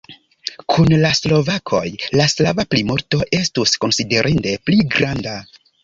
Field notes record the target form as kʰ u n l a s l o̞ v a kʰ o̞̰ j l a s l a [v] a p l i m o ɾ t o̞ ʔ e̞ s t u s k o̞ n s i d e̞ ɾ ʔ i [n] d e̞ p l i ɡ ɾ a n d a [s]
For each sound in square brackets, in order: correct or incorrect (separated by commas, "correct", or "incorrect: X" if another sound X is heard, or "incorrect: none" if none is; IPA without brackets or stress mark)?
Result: correct, correct, incorrect: none